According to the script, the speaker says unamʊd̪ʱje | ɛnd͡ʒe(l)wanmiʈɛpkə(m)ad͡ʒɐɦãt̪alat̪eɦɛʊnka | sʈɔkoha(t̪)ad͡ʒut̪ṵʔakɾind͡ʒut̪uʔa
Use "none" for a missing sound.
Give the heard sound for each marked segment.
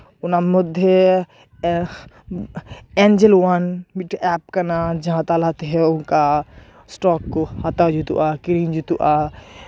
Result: l, n, t̪

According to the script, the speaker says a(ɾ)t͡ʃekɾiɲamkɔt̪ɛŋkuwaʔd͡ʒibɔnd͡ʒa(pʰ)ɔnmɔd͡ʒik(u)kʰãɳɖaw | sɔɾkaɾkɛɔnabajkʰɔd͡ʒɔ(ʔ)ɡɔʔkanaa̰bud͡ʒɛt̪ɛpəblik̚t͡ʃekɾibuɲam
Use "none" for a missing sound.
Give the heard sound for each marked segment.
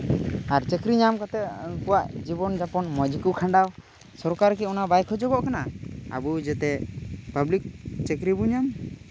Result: ɾ, p, u, none

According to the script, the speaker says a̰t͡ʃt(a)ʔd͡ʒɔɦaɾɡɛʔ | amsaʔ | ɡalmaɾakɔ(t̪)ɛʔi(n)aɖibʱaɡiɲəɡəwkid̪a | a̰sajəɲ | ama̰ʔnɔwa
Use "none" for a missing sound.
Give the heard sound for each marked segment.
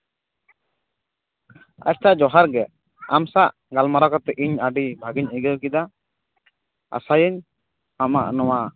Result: a, t̪, ɲ

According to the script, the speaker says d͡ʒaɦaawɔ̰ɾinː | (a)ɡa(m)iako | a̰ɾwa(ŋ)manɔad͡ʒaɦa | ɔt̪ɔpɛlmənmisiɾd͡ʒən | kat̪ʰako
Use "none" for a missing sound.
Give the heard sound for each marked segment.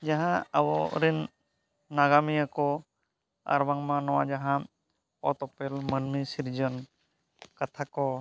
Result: a, m, ŋ

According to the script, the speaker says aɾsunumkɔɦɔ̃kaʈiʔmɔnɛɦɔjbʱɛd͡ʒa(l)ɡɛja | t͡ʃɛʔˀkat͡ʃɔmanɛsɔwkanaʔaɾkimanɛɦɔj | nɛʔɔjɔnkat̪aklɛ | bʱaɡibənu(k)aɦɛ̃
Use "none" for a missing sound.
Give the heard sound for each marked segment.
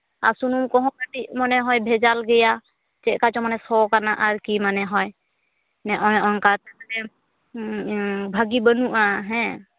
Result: l, ʔ

